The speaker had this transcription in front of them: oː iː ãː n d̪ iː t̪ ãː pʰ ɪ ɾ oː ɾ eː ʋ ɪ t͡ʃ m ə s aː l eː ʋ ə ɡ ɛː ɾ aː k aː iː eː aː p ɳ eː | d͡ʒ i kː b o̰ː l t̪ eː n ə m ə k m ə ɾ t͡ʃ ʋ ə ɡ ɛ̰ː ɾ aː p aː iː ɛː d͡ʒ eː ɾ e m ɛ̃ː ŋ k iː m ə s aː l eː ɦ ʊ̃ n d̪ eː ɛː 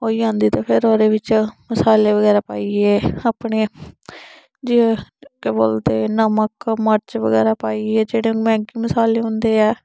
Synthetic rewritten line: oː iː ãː n d̪ iː t̪ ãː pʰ ɪ ɾ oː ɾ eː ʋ ɪ t͡ʃ m ə s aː l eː ʋ ə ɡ ɛː ɾ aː p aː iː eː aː p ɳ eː | d͡ʒ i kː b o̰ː l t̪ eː n ə m ə k m ə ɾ t͡ʃ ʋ ə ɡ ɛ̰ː ɾ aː p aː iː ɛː d͡ʒ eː ɽ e m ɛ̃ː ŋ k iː m ə s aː l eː ɦ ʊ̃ n d̪ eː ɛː

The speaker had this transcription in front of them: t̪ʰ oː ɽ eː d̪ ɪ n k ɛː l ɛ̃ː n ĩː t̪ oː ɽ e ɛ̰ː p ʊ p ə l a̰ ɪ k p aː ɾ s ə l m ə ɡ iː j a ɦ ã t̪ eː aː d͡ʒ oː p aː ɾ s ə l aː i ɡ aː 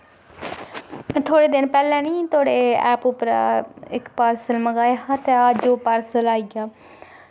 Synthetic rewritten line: t̪ʰ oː ɽ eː d̪ ɪ n p ɛː l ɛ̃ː n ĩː t̪ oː ɽ e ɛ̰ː p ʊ p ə ɾ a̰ ɪ k p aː ɾ s ə l m ə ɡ aː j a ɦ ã t̪ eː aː d͡ʒ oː p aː ɾ s ə l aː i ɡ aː

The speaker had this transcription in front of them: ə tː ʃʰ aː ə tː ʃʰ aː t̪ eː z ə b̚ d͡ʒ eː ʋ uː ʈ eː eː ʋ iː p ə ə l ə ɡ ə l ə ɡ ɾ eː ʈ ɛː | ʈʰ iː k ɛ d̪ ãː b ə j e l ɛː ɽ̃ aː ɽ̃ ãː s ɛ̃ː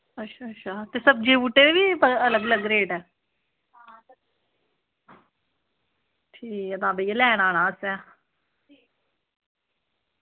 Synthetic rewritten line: ə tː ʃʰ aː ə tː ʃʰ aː t̪ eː s ə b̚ d͡ʒ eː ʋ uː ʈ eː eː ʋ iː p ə ə l ə ɡ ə l ə ɡ ɾ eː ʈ ɛː | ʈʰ iː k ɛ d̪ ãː b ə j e l ɛː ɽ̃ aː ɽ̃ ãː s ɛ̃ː

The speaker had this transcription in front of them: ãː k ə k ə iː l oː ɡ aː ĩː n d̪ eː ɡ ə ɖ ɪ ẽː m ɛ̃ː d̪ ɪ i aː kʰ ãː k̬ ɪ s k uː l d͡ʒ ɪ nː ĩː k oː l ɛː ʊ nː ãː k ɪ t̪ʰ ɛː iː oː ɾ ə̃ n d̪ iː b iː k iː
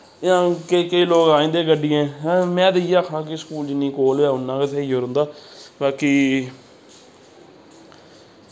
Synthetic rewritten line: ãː k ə k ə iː l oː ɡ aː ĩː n d̪ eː ɡ ə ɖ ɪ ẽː m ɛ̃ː d̪ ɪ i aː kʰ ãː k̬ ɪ s k uː l d͡ʒ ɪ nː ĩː k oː l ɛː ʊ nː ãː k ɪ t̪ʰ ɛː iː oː ɾ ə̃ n d̪ aː b aː k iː

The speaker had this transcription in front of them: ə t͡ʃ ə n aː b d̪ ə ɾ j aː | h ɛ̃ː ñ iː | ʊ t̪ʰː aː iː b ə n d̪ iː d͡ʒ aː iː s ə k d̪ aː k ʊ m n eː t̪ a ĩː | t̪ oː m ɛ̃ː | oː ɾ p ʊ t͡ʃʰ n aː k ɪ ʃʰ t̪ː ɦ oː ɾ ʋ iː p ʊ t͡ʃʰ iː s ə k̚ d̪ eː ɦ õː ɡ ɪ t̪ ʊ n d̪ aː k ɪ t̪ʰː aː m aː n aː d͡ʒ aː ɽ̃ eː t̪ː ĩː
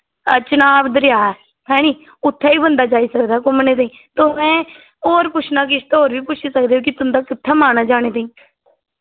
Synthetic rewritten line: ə t͡ʃ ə n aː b d̪ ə ɾ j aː | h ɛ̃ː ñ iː | ʊ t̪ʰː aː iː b ə n d̪ aː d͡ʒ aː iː s ə k d̪ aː k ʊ m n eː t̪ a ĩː | t̪ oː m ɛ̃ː | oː ɾ p ʊ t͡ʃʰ n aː k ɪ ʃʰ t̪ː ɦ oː ɾ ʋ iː p ʊ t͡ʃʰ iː s ə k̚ d̪ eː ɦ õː k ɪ t̪ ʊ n d̪ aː k ɪ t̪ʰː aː m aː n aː d͡ʒ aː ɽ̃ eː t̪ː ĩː

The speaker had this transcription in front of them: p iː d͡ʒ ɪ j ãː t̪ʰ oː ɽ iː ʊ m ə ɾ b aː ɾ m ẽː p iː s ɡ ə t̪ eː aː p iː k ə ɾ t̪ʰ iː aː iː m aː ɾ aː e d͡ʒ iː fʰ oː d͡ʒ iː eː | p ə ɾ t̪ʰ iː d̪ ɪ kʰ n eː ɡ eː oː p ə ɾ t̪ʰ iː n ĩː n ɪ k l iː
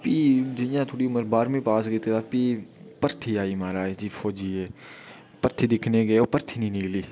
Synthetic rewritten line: p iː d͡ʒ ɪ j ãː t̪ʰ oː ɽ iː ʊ m ə ɾ b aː ɾ m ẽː p aː s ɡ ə t̪ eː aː p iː p ə ɾ t̪ʰ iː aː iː m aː ɾ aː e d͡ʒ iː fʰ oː d͡ʒ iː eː | p ə ɾ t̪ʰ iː d̪ ɪ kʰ n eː ɡ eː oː p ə ɾ t̪ʰ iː n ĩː n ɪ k l iː

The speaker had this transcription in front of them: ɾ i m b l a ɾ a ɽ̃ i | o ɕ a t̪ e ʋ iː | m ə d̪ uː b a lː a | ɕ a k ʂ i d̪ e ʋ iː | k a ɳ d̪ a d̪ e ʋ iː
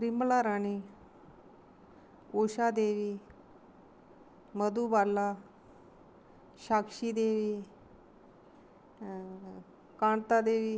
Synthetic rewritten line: ɾ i m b l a ɾ a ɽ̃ i | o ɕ a d̪ e ʋ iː | m ə d̪ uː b a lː a | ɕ a k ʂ i d̪ e ʋ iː | k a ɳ t̪ a d̪ e ʋ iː

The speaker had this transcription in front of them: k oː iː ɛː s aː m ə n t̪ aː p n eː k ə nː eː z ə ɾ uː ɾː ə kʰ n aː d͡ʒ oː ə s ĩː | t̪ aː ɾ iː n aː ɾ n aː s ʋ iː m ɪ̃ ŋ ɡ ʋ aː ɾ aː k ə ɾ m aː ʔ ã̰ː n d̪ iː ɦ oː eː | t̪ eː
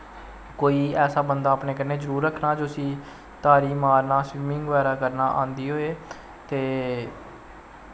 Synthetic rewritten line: k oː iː ɛː s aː b ə n d̪ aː p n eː k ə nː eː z ə ɾ uː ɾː ə kʰ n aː d͡ʒ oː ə s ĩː | t̪ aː ɾ iː m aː ɾ n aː s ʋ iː m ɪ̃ ŋ ɡ ʋ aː ɾ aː k ə ɾ n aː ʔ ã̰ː n d̪ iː ɦ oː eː | t̪ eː

